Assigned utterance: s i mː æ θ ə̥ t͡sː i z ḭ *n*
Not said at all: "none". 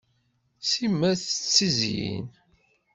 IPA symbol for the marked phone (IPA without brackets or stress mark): n